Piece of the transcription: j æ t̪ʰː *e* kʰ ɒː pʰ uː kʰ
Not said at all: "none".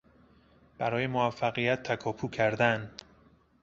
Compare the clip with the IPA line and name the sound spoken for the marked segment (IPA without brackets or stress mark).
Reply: æ